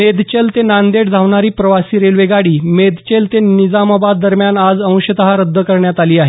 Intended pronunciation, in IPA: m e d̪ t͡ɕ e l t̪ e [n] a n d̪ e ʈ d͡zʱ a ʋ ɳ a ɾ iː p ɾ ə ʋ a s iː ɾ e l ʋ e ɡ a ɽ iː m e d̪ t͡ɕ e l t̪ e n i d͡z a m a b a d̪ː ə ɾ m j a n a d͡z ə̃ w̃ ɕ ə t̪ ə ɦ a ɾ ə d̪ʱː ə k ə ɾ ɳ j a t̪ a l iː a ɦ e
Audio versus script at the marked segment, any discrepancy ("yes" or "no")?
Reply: no